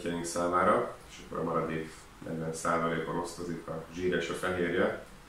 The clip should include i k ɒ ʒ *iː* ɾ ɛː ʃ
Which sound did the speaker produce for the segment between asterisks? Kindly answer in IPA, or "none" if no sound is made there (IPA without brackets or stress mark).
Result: iː